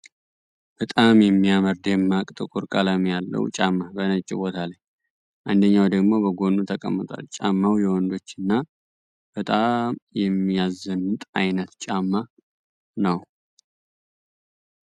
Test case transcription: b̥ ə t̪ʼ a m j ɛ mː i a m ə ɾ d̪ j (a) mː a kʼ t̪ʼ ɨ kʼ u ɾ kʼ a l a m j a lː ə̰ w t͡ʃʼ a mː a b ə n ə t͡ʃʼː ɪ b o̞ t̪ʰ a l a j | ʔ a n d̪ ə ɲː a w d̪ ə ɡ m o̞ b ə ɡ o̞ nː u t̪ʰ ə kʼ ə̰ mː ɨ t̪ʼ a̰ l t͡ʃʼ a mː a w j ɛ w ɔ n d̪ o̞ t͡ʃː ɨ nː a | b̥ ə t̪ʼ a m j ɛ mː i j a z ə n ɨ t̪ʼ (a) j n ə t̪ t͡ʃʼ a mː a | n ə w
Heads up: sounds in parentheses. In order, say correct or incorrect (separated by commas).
incorrect, correct